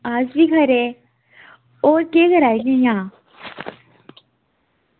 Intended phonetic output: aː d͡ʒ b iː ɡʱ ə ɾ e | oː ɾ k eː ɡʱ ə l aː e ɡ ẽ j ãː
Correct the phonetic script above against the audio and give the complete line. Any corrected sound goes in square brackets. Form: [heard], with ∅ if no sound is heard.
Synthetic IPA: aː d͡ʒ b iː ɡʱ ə ɾ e | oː ɾ k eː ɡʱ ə [ɾ] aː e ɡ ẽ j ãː